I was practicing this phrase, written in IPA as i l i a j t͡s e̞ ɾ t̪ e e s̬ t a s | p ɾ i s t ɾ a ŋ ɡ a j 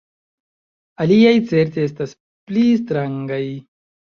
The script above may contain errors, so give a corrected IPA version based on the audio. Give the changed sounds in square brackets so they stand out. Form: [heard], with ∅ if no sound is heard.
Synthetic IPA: [a] l i a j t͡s e̞ ɾ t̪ e e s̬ t a s | p [l] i s t ɾ a ŋ ɡ a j